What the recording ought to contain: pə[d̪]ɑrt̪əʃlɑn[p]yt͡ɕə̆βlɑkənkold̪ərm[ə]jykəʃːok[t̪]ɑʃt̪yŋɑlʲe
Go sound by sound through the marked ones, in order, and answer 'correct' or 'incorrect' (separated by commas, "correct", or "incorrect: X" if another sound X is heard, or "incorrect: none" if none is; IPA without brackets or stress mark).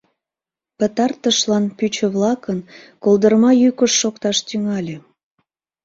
incorrect: t̪, correct, incorrect: ɑ, correct